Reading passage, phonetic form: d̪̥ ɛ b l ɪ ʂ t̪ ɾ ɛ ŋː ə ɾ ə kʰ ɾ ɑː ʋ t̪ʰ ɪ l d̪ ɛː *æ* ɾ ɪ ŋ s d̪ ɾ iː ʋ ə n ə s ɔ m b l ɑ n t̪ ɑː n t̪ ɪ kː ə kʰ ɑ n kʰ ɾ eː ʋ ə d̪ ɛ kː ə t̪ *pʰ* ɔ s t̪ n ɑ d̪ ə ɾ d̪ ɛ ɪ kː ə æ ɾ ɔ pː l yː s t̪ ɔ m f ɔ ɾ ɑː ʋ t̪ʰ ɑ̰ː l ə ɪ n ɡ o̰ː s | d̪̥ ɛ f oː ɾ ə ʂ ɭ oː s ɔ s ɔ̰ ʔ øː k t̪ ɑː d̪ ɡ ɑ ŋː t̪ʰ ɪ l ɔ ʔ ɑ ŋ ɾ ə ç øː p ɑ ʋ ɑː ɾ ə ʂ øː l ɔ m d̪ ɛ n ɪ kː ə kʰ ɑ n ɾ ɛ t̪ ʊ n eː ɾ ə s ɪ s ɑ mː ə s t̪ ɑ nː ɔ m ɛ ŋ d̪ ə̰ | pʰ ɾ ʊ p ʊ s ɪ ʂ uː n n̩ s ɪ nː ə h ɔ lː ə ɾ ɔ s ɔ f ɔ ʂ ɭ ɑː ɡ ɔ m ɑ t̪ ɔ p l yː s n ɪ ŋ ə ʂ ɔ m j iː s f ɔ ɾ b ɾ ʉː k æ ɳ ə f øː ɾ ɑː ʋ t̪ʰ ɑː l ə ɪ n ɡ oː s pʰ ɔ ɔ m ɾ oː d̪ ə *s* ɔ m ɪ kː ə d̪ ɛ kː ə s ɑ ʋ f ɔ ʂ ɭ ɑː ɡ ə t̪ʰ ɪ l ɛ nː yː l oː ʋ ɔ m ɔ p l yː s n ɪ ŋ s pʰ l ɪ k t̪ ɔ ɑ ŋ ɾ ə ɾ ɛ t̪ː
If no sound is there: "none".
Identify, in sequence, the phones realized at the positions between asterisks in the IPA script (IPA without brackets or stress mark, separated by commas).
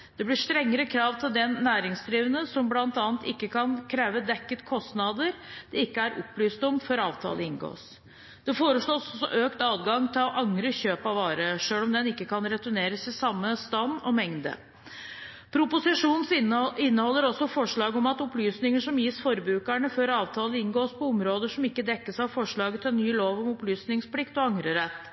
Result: æː, kʰ, ʂ